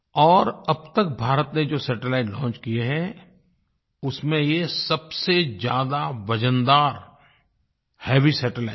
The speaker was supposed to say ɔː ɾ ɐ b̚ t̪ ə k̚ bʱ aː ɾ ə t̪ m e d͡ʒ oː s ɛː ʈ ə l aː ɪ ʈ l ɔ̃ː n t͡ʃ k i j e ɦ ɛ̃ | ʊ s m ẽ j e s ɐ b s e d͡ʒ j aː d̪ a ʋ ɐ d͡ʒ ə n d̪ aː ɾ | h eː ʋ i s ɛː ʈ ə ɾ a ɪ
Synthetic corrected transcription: ɔː ɾ ɐ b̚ t̪ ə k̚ bʱ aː ɾ ə t̪ n e d͡ʒ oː s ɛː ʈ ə l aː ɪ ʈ l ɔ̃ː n t͡ʃ k i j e ɦ ɛ | ʊ s m ẽ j e s ɐ b s e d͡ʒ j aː d̪ a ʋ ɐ d͡ʒ ə n d̪ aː ɾ | h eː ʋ i s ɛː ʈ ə l a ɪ

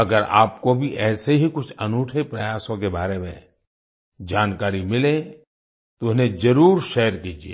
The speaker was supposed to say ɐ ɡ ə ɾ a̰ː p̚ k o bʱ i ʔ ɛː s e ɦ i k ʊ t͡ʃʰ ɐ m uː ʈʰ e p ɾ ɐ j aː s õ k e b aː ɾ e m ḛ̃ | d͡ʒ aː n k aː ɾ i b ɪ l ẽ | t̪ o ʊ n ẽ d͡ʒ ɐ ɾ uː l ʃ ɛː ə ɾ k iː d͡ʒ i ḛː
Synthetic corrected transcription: ɐ ɡ ə ɾ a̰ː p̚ k o bʱ i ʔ ɛː s e ɦ i k ʊ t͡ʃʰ ɐ n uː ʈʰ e p ɾ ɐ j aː s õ k e b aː ɾ e m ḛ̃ | d͡ʒ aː n k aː ɾ i m ɪ l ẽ | t̪ o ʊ n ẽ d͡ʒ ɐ ɾ uː ɾ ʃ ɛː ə ɾ k iː d͡ʒ i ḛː

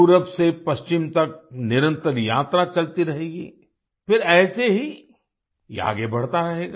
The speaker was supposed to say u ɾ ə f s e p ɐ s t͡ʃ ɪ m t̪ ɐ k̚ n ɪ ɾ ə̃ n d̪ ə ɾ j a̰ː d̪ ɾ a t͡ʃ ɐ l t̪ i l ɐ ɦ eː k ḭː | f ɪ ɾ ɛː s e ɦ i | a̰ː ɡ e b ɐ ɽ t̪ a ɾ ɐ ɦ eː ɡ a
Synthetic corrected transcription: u ɾ ə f s e p ɐ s t͡ʃ ɪ m t̪ ɐ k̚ n ɪ ɾ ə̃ n t̪ ə ɾ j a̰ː t̪ ɾ a t͡ʃ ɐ l t̪ i ɾ ɐ ɦ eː ɡ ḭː | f ɪ ɾ ɛː s e ɦ i | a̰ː ɡ e b ɐ ɽ t̪ a ɾ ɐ ɦ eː ɡ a

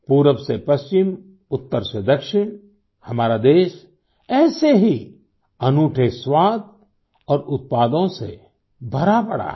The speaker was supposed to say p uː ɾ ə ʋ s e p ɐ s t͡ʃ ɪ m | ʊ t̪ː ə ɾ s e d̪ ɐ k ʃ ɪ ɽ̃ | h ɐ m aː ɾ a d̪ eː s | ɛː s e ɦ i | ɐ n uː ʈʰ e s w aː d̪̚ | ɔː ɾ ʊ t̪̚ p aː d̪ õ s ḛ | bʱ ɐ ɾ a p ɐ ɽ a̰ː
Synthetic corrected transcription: p uː ɾ ə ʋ s e p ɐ s t͡ʃ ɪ m | ʊ t̪ː ə ɾ s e d̪ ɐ k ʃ ɪ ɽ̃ | h ɐ m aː ɾ a d̪ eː ʃ | ɛː s e ɦ i | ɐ n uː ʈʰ e s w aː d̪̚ | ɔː ɾ ʊ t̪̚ p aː d̪ õ s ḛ | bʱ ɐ ɾ a p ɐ ɽ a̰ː

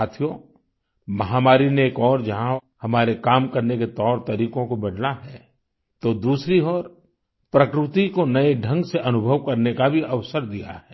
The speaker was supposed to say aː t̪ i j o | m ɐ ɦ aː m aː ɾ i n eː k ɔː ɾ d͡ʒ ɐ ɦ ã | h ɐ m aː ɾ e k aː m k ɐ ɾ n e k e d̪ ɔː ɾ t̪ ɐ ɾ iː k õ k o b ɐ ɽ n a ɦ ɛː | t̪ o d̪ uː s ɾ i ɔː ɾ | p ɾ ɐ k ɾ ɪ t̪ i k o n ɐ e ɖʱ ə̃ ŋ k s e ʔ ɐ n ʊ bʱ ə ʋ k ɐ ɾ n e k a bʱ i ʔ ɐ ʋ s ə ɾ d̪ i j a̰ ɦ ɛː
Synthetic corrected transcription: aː t̪ʰ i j o | m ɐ ɦ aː m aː ɾ i n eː k ɔː ɾ d͡ʒ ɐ ɦ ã | h ɐ m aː ɾ e k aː m k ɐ ɾ n e k e t̪ ɔː ɾ t̪ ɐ ɾ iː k õ k o b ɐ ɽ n a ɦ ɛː | t̪ o d̪ uː s ɾ i ɔː ɾ | p ɾ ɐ k ɾ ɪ t̪ i k o n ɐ e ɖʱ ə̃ ŋ ɡ s e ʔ ɐ n ʊ bʱ ə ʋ k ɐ ɾ n e k a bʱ i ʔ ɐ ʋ s ə ɾ d̪ i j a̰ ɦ ɛː

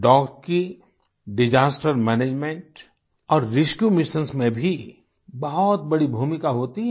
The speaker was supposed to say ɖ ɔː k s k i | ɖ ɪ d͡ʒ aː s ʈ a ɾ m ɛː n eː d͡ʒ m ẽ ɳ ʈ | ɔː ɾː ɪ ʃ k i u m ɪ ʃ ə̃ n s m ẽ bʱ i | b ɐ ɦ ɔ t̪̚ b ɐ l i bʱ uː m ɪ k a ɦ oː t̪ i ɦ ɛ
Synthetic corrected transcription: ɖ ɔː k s k i | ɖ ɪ d͡ʒ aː s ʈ ə ɾ m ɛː n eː d͡ʒ m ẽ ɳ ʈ | ɔː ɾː ɪ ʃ k j u m ɪ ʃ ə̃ n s m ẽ bʱ i | b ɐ ɦ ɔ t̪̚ b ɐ ɽ i bʱ uː m ɪ k a ɦ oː t̪ i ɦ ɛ

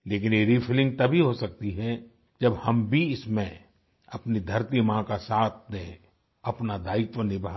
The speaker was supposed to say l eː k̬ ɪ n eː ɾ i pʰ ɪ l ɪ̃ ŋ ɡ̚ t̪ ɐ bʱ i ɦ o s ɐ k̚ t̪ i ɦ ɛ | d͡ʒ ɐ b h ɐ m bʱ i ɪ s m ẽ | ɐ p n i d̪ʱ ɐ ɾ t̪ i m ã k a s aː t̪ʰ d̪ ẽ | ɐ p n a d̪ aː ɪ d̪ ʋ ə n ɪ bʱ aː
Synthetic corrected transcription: l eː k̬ ɪ n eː ɾ i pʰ ɪ l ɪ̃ ŋ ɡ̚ t̪ ɐ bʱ i ɦ o s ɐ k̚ t̪ i ɦ ɛ | d͡ʒ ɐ b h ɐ m bʱ i ɪ s m ẽ | ɐ p n i d̪ʱ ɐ ɾ t̪ i m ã k a s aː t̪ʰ d̪ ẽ | ɐ p n a d̪ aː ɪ t̪ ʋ ə n ɪ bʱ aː

